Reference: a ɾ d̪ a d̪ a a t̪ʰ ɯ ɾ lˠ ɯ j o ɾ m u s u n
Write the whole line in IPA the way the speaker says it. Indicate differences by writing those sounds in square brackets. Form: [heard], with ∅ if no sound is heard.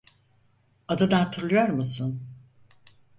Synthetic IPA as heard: a [∅] d̪ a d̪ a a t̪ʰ ɯ ɾ lˠ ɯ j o ɾ m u s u n